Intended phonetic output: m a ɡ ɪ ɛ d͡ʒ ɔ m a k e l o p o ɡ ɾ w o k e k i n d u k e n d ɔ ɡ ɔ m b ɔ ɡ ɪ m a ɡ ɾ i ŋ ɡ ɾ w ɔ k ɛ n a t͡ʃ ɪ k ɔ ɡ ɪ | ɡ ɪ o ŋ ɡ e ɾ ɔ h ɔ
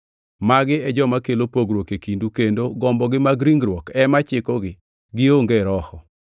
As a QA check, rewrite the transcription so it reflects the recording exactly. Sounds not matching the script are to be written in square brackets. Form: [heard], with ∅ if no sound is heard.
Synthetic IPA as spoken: m a ɡ ɪ ɛ d͡ʒ ɔ m a k e l o p o ɡ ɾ w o k e k i n d u k e n d [o] ɡ ɔ m b ɔ ɡ ɪ m a ɡ ɾ i ŋ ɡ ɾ w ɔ k ɛ [m] a t͡ʃ ɪ k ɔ ɡ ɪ | ɡ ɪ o ŋ ɡ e ɾ ɔ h ɔ